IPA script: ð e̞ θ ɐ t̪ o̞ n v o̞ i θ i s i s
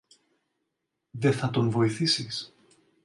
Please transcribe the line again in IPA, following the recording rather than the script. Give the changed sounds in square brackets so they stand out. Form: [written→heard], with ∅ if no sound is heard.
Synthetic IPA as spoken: ð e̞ θ ɐ t̪ o̞ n v o̞ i θ i s i s